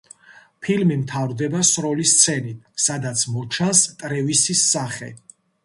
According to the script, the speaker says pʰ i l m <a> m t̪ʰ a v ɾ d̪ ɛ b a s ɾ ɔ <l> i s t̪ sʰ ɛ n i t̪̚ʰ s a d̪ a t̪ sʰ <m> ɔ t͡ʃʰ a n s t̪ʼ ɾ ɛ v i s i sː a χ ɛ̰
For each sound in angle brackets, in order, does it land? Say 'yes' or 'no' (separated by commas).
no, yes, yes